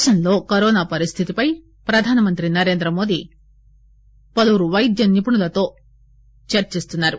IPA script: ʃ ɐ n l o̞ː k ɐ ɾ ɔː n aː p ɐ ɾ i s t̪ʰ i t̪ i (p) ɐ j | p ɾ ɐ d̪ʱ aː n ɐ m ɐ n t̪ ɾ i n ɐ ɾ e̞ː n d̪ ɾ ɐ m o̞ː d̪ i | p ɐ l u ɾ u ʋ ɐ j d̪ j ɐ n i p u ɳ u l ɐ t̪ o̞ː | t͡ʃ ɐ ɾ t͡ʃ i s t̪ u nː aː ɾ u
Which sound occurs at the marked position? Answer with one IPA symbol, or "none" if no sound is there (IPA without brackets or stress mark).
p